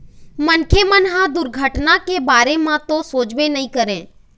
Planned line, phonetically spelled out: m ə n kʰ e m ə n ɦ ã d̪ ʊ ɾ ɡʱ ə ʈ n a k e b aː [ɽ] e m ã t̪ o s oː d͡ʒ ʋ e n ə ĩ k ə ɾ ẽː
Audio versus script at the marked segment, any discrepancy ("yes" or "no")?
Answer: yes